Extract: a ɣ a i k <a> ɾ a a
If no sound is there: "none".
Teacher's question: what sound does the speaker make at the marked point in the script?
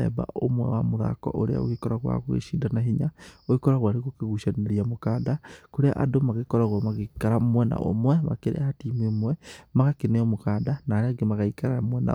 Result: a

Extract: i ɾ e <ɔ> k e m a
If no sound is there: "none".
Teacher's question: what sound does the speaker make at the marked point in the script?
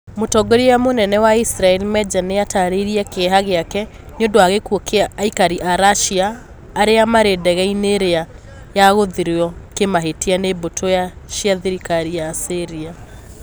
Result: ɔ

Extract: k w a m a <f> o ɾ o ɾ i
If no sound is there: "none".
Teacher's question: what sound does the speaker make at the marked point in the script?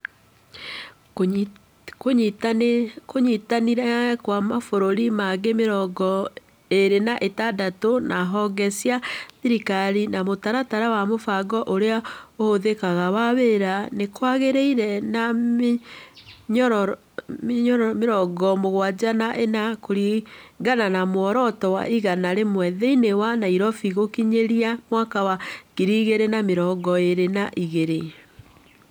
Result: f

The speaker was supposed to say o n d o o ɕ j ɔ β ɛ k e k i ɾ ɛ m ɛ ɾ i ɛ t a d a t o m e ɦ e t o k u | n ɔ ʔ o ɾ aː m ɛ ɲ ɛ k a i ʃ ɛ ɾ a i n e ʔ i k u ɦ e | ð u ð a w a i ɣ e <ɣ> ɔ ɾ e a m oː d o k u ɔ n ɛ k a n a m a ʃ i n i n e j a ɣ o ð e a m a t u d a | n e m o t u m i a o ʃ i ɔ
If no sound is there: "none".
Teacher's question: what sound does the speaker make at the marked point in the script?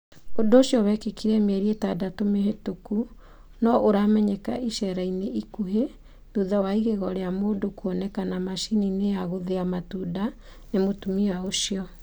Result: ɣ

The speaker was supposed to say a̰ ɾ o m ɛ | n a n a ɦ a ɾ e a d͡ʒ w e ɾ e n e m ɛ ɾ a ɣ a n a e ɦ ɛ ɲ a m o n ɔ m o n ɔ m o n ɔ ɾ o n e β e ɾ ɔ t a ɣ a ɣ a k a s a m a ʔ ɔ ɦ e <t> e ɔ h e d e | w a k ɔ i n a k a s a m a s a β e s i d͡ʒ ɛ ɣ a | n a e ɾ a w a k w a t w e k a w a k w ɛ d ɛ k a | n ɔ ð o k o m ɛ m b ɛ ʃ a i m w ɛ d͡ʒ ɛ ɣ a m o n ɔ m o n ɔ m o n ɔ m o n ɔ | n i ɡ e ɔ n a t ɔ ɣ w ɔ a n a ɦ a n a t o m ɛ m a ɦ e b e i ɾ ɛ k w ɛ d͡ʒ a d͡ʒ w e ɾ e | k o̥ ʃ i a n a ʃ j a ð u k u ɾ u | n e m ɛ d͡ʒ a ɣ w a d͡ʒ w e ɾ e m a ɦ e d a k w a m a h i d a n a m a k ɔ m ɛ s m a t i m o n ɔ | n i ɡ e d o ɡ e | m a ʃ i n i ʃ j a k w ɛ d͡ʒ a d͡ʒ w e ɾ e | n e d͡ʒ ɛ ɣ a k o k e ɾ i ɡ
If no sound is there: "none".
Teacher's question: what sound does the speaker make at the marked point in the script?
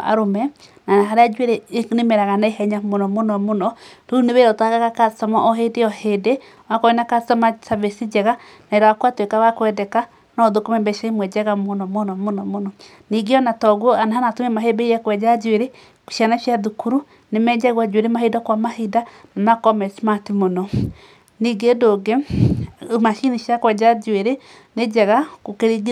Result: d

